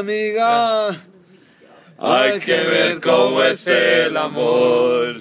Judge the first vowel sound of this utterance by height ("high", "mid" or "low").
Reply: high